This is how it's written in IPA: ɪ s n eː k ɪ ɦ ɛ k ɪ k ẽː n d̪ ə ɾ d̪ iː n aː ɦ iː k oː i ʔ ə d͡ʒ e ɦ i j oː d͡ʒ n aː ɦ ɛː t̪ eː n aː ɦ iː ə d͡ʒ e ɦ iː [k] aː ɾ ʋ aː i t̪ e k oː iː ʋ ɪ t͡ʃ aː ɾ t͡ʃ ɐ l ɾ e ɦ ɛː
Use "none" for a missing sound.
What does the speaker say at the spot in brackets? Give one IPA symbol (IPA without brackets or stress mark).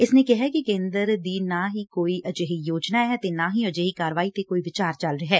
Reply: k